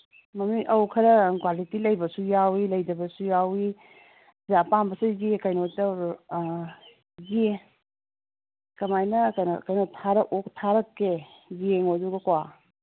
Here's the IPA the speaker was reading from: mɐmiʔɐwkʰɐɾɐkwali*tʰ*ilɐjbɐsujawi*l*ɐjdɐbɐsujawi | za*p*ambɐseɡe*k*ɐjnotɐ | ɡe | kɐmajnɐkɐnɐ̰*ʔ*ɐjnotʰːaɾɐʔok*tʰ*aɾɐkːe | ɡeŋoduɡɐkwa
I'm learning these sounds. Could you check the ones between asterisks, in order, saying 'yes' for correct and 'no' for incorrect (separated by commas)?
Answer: no, yes, yes, yes, no, yes